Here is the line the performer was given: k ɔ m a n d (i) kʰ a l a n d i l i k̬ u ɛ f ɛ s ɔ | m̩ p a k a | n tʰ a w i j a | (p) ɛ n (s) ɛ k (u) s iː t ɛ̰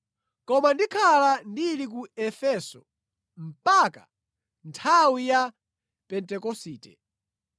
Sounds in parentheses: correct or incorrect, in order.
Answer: correct, correct, incorrect, incorrect

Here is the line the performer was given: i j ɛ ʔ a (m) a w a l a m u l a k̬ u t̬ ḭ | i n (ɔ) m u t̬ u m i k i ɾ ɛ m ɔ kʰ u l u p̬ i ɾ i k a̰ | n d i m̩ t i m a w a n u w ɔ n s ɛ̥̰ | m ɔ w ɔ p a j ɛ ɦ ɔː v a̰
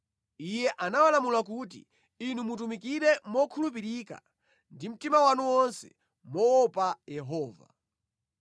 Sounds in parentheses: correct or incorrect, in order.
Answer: incorrect, incorrect

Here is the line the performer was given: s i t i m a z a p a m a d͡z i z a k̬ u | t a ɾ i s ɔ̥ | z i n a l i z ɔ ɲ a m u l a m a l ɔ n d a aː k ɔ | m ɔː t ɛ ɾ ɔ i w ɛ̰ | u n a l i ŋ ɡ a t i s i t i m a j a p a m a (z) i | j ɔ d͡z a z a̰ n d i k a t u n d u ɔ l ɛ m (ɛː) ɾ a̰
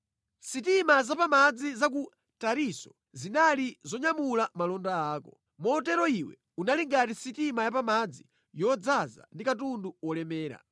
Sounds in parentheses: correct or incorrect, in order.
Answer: incorrect, correct

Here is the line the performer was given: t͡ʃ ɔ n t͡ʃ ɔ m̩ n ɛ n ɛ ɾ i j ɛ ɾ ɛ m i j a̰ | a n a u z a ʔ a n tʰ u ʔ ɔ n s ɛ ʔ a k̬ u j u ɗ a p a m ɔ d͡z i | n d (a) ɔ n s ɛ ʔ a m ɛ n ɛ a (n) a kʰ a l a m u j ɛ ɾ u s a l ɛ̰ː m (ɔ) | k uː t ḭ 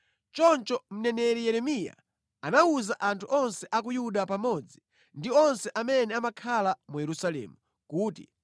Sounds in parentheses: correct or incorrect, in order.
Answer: incorrect, incorrect, incorrect

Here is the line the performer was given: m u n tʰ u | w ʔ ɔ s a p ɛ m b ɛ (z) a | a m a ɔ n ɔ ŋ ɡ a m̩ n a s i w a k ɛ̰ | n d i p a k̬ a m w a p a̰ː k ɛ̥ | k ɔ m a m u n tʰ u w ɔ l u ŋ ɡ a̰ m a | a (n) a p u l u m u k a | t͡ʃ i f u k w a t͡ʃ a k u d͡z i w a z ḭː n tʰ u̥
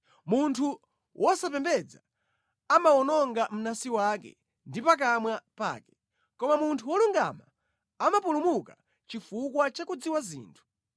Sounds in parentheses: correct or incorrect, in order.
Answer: incorrect, incorrect

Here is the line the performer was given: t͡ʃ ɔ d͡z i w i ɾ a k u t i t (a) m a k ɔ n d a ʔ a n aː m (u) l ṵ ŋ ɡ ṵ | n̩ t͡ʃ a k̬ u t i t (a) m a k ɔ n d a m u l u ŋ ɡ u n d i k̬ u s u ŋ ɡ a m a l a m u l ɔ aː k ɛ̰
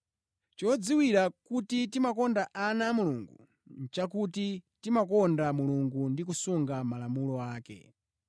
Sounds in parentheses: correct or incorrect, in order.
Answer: incorrect, correct, incorrect

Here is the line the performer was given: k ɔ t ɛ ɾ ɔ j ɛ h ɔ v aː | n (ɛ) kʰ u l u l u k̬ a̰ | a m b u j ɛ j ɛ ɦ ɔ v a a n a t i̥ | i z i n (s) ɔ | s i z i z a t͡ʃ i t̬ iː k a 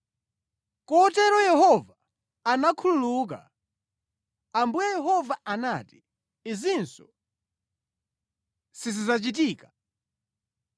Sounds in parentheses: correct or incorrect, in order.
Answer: incorrect, correct

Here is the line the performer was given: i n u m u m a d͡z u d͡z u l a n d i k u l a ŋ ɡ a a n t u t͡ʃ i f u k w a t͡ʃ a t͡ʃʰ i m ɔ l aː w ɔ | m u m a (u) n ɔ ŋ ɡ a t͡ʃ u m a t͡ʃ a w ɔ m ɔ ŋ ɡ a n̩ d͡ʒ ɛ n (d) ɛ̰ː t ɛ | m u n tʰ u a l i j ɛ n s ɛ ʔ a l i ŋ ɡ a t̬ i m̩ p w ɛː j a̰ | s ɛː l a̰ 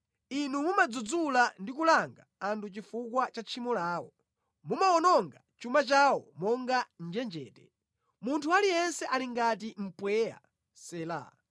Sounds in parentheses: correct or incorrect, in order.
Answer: incorrect, incorrect

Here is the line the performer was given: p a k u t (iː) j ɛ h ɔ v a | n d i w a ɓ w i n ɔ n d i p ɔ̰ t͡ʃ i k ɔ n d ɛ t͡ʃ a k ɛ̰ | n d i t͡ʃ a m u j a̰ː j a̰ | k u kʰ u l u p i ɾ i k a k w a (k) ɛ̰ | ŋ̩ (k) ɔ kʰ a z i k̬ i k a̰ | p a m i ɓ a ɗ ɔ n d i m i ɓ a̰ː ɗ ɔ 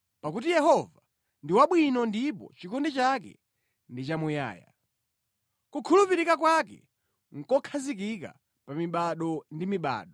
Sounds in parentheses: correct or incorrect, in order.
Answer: incorrect, correct, correct

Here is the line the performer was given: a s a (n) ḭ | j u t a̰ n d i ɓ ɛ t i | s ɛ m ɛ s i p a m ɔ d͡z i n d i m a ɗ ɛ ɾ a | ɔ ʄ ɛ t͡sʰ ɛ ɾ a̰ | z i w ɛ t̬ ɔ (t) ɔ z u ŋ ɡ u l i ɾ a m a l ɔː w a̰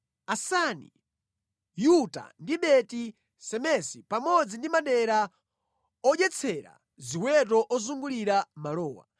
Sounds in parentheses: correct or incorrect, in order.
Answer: correct, incorrect

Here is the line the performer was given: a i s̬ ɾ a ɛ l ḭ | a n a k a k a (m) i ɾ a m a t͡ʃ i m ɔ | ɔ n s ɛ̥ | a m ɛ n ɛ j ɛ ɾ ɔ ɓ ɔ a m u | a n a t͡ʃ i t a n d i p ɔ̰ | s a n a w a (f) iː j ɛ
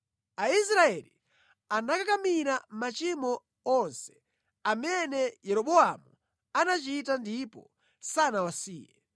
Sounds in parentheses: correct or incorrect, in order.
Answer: correct, incorrect

